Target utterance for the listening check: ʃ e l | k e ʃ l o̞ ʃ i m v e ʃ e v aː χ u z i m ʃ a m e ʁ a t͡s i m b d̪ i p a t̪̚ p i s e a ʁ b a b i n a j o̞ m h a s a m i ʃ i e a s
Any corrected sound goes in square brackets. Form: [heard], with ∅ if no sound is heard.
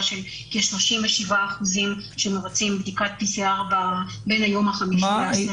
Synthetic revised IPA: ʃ e l | k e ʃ l o̞ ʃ i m v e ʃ [i] v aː χ u z i m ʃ [e] m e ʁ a t͡s i m b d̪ i [k] a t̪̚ p i s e a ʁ b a b [e] n a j o̞ m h a [χ] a m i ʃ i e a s